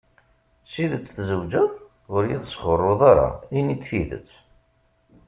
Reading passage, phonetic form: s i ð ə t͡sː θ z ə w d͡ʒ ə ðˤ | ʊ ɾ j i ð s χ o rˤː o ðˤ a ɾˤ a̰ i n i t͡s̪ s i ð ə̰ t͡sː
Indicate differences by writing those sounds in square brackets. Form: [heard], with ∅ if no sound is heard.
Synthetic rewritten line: s i ð ə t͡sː θ z ə w d͡ʒ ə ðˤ | ʊ ɾ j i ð s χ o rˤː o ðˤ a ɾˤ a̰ i n i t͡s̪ [θ] i ð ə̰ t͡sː